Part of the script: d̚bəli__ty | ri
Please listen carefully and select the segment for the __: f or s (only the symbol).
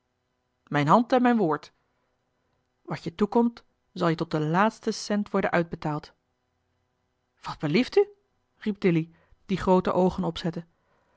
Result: f